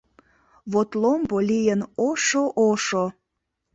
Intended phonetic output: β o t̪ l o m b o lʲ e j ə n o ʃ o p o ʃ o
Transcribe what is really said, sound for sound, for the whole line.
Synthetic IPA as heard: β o t̪ l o m b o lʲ i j ə n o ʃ o ʔ o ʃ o